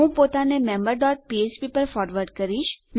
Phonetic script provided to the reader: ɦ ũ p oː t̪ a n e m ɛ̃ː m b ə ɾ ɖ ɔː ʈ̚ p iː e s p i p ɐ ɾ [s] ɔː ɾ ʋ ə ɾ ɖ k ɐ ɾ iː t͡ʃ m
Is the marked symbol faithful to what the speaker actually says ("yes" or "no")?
no